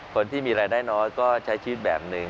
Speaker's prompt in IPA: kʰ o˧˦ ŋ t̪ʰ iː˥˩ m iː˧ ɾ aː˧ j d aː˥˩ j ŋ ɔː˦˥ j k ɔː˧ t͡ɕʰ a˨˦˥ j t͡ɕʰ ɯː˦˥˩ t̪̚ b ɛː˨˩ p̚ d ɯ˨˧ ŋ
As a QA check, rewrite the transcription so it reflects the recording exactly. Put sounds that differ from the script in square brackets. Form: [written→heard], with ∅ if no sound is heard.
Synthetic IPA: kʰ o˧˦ [ŋ→n] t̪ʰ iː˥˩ m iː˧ ɾ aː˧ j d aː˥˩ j [ŋ→n] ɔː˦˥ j k [ɔː˧→ɔː˥˩] t͡ɕʰ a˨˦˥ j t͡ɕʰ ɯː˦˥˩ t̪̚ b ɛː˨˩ p̚ [d→n] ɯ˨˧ ŋ